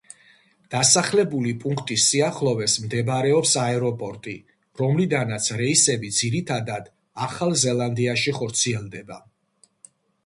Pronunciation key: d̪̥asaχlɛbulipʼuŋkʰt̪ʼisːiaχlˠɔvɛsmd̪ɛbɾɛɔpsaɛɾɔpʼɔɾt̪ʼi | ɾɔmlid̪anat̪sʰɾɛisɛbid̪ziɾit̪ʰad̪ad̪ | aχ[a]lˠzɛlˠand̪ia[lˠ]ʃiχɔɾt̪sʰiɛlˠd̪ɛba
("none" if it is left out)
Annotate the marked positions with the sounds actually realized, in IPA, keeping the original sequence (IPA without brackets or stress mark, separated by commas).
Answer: a, none